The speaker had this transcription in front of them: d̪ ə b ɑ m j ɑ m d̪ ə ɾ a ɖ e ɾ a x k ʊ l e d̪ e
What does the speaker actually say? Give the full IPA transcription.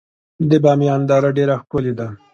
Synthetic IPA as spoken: d̪ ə b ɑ m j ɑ n d̪ ɑ ɾ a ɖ e ɾ a x k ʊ l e d̪ a